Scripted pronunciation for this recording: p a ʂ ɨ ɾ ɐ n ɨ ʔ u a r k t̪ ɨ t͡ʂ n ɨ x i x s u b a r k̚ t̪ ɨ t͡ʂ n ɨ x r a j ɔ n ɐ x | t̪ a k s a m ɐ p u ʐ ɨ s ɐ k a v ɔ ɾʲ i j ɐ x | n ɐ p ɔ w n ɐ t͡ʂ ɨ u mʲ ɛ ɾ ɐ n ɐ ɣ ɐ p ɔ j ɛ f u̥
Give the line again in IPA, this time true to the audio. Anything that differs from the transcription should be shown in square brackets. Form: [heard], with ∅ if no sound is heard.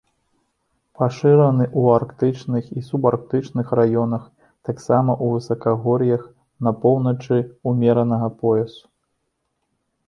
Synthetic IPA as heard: p a ʂ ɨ ɾ ɐ n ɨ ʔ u a r k t̪ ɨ t͡ʂ n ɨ x i [∅] s u b a r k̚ t̪ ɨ t͡ʂ n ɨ x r a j ɔ n ɐ x | t̪ a k s a m ɐ [ʔ] u [v] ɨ s ɐ k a [ɣ] ɔ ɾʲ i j ɐ x | n ɐ p ɔ w n ɐ t͡ʂ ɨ u mʲ ɛ ɾ ɐ n ɐ ɣ ɐ p ɔ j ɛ [s] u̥